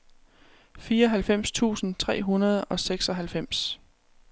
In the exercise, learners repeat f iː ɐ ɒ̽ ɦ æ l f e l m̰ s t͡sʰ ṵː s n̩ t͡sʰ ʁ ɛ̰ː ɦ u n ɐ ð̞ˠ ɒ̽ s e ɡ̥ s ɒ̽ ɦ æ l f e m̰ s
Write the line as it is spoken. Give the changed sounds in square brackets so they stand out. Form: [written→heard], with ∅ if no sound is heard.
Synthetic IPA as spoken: f iː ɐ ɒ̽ ɦ æ l f e [l→∅] m̰ s t͡sʰ ṵː s n̩ t͡sʰ ʁ ɛ̰ː ɦ u n ɐ ð̞ˠ ɒ̽ s e ɡ̥ s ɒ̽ ɦ æ l f e m̰ s